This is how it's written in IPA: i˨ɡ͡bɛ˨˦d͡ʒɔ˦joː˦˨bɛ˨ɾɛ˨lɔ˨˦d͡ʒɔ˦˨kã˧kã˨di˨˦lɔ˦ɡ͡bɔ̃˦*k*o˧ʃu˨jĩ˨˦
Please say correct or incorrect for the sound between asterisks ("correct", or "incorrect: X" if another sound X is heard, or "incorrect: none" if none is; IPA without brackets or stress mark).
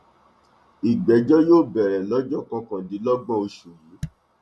incorrect: none